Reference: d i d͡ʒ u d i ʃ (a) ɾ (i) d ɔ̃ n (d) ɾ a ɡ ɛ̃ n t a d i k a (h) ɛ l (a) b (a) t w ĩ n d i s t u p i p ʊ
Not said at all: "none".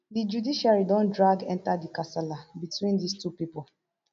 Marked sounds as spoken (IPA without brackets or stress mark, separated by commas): a, i, d, s, a, i